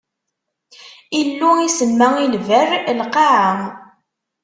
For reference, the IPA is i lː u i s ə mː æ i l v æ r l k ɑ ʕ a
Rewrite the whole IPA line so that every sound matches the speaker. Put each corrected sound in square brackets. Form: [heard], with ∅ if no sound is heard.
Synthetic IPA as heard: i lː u i s ə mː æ i l v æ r l [q] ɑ ʕ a